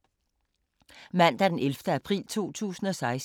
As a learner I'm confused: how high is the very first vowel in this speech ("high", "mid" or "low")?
low